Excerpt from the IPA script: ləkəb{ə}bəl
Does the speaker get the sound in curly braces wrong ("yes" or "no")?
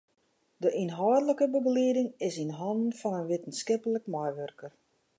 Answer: no